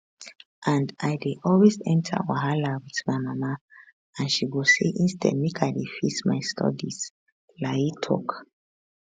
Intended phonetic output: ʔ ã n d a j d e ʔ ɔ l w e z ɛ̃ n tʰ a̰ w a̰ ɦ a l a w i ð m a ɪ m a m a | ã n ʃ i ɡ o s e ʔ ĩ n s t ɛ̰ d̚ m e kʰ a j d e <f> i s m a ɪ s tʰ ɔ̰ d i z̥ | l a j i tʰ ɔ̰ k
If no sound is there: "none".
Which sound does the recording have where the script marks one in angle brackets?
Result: f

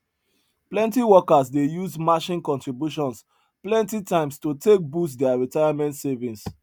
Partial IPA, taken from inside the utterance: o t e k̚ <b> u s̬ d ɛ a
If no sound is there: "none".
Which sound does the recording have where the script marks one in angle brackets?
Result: b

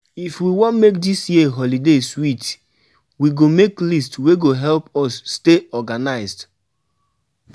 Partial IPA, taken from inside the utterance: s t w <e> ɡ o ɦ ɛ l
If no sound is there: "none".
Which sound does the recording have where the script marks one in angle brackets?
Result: e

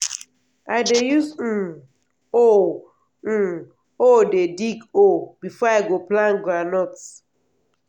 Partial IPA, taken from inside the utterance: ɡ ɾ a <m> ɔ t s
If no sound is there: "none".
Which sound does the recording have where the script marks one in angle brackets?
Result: n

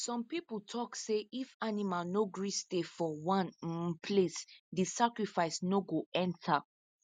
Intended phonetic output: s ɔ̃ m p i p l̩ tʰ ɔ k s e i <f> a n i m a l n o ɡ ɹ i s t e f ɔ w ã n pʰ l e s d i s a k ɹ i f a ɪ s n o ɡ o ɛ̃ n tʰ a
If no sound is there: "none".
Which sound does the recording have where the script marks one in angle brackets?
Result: f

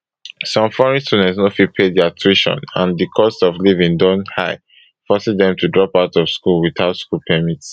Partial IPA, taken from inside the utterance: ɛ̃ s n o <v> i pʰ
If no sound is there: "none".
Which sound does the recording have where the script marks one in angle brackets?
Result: f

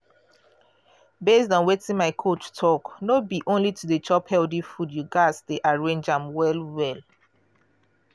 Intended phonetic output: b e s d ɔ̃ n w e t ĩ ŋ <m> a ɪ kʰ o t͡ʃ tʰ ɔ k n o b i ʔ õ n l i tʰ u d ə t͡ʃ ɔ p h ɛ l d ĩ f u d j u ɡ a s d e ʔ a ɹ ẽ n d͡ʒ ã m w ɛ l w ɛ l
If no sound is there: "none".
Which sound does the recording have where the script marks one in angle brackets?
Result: m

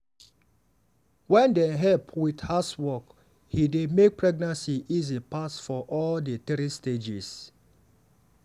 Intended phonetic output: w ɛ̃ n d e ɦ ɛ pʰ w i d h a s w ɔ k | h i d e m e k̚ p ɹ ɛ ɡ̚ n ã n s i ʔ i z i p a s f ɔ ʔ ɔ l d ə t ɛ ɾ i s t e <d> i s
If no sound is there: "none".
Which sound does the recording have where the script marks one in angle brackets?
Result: d͡ʒ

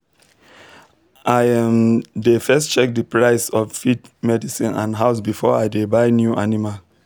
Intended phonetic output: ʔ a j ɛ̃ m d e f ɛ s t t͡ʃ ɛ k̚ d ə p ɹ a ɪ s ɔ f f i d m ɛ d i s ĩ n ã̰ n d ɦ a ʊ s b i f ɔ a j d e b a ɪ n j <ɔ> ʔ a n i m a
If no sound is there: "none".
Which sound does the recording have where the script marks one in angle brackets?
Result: u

